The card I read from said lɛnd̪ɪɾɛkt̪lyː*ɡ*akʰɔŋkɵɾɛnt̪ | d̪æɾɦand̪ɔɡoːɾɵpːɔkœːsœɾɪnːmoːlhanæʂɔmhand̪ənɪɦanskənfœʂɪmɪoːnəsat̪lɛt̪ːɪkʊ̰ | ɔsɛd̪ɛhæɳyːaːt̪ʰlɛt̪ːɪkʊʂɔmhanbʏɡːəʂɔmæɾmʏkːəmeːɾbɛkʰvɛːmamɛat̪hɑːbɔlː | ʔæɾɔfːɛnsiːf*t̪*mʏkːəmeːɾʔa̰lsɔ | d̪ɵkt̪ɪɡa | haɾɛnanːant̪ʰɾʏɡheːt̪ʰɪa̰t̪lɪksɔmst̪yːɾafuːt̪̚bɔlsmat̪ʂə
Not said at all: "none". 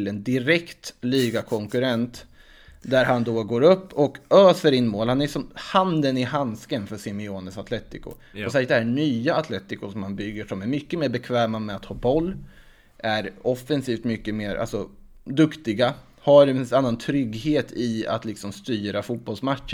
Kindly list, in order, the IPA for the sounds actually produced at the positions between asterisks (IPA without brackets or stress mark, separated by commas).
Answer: ɡ, t̪